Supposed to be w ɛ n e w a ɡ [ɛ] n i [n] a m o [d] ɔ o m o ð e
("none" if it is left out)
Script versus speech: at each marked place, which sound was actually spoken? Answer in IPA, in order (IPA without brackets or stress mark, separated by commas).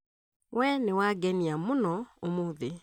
ɛ, none, n